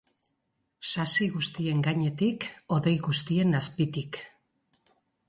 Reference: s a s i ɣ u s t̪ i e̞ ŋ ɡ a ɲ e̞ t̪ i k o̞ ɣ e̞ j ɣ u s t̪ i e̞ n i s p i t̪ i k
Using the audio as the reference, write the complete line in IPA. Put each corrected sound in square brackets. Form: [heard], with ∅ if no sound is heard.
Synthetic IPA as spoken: s a s i ɣ u s t̪ i e̞ ŋ ɡ a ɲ e̞ t̪ i k o̞ [ð] e̞ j ɣ u s t̪ i e̞ n [a] s p i t̪ i k